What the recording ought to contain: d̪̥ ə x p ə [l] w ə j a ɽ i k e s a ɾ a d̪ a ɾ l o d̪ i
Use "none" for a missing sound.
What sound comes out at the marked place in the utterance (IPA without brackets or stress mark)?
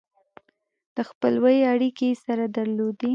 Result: l